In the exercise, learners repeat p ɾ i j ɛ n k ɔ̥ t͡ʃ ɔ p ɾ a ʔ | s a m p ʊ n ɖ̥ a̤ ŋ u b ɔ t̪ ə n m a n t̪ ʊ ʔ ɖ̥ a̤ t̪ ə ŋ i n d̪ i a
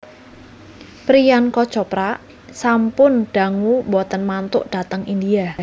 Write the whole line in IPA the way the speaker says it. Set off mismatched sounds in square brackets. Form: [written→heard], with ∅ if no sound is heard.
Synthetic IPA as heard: p ɾ i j [ɛ→a] n k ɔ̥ t͡ʃ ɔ p ɾ a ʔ | s a m p ʊ n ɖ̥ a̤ ŋ u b ɔ t̪ ə n m a n t̪ ʊ ʔ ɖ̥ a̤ t̪ ə ŋ i n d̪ i a

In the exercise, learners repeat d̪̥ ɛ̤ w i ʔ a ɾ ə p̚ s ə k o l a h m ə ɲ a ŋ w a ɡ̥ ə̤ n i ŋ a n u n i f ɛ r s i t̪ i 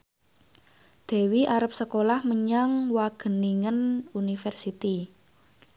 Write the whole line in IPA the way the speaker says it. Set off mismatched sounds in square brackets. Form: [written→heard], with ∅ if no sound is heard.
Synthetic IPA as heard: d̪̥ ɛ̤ w i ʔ a ɾ ə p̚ s ə k o l a h m ə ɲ a ŋ w a ɡ̥ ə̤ n i ŋ [a→ə] n u n i f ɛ r s i t̪ i

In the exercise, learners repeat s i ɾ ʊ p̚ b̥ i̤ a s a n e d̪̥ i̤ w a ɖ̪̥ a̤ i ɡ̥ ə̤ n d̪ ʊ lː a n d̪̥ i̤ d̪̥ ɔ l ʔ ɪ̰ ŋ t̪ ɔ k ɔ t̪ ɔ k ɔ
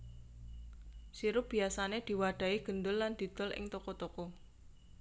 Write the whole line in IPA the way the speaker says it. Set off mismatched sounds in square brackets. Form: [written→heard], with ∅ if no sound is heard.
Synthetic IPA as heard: s i ɾ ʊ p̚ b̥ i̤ a s a n e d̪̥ i̤ w a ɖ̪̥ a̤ i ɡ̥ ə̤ n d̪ ʊ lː a n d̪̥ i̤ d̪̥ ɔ l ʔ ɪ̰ ŋ t̪ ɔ k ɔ t̪ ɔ k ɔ

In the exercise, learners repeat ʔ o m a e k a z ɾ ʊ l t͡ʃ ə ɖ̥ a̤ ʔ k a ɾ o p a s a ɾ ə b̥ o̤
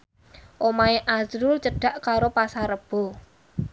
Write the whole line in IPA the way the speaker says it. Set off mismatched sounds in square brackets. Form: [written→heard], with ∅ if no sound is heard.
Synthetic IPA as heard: ʔ o m a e [k→ʔ] a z ɾ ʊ l t͡ʃ ə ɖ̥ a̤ ʔ k a ɾ o p a s a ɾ ə b̥ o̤

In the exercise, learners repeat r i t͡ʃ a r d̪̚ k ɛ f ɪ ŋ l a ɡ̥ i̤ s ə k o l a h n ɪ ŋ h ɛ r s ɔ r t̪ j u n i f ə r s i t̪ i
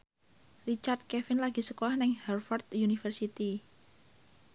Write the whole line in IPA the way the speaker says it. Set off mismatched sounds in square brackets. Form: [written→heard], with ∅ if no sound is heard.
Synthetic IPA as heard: r i t͡ʃ a r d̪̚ k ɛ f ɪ [ŋ→n] l a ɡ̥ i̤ s ə k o l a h n ɪ ŋ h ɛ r [s→f] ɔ r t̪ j u n i f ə r s i t̪ i

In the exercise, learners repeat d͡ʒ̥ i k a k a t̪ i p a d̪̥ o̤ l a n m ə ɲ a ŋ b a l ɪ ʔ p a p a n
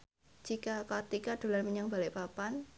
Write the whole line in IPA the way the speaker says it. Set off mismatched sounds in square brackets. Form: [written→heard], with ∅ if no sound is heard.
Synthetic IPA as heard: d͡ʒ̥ i k a k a t̪ i [p→k] a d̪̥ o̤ l a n m ə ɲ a ŋ b a l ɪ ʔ p a p a n

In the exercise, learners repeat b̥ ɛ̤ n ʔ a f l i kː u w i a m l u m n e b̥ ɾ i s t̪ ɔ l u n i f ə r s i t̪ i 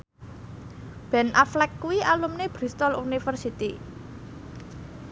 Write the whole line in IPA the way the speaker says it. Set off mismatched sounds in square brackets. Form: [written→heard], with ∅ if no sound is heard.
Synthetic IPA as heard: b̥ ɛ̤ n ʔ a f l [i→ɛ] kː u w i a [m→∅] l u m n e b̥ ɾ i s t̪ ɔ l u n i f ə r s i t̪ i

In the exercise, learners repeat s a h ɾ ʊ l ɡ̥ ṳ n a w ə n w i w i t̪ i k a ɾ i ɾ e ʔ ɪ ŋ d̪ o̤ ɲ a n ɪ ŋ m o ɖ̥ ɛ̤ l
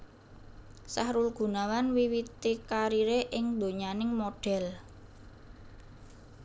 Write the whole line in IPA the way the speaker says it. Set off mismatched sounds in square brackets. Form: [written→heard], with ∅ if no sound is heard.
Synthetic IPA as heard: s a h ɾ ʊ l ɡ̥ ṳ n a w [ə→a] n w i w i t̪ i k a ɾ i ɾ e ʔ ɪ ŋ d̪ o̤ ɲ a n ɪ ŋ m o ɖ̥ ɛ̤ l

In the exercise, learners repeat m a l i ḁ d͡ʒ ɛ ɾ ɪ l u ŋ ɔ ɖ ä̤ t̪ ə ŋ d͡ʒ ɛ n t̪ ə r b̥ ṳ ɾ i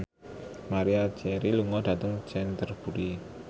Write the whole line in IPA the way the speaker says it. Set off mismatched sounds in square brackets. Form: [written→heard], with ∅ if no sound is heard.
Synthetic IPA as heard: m a [l→ɾ] i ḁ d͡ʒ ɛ ɾ [ɪ→i] l u ŋ ɔ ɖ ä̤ t̪ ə ŋ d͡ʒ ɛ n t̪ ə r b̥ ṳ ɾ i

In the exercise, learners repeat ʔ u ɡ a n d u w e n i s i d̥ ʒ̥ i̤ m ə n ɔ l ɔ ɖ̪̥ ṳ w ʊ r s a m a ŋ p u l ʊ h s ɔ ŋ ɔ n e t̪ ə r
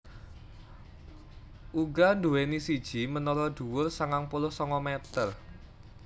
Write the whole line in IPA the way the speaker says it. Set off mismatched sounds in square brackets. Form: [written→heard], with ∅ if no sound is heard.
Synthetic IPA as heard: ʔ u ɡ a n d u w e n i s i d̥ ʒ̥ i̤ m ə n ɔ l ɔ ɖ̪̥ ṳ w ʊ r s a [m→ŋ] a ŋ p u l ʊ h s ɔ ŋ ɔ [n→m] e t̪ ə r

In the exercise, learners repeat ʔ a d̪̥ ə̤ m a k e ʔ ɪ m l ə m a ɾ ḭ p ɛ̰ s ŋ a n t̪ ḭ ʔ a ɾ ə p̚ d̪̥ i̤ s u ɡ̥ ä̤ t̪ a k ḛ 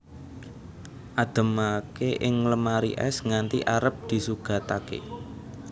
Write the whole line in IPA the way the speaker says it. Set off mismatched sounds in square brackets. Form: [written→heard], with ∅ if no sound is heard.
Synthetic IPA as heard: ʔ a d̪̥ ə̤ m a k e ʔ ɪ [m→ŋ] l ə m a ɾ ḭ [p→ʔ] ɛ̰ s ŋ a n t̪ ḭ ʔ a ɾ ə p̚ d̪̥ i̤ s u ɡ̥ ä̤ t̪ a k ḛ

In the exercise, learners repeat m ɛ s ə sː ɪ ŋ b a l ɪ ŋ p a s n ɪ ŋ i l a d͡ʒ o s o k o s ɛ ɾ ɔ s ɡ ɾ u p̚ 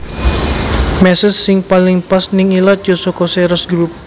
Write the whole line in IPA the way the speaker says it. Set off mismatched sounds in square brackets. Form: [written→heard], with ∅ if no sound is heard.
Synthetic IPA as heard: m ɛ s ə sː ɪ ŋ [b→p] a l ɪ ŋ p a s n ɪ ŋ i l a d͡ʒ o s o k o s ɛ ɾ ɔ s ɡ ɾ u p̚

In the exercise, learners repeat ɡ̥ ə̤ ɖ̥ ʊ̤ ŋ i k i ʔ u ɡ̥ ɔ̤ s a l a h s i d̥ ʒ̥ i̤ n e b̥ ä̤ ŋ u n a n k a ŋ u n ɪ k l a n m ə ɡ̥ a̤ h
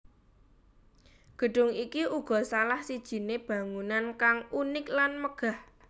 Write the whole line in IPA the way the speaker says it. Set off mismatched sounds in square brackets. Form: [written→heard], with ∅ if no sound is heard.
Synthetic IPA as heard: ɡ̥ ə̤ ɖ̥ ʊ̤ ŋ i k i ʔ u ɡ̥ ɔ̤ s a l a h s i d̥ ʒ̥ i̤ n e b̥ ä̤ ŋ u n a n k a ŋ u n ɪ k l a n m ə ɡ̥ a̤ h

